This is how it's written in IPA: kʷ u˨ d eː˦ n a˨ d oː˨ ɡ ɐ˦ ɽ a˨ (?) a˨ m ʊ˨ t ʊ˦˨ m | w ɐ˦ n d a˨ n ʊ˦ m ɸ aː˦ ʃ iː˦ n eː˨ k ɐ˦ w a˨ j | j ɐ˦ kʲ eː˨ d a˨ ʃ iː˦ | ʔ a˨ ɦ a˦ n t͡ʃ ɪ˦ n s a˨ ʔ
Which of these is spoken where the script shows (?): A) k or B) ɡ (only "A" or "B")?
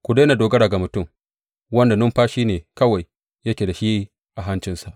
B